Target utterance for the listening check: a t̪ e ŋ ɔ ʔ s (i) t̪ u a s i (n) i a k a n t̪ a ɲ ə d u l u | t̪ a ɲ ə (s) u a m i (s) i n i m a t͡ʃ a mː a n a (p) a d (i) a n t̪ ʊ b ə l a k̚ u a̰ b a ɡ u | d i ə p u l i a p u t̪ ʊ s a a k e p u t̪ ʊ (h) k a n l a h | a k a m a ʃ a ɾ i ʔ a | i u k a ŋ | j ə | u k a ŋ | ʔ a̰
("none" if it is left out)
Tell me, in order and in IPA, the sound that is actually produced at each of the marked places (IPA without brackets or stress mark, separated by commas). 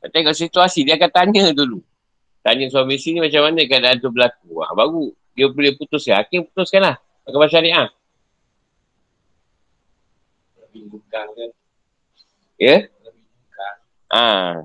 i, d, s, s, k, a, s